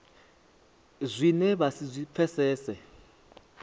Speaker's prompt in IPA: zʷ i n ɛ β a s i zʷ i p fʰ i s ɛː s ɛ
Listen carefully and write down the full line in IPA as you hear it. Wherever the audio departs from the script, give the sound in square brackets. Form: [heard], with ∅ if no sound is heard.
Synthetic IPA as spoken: zʷ i n ɛ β a s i zʷ i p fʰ [ɛ] s ɛː s ɛ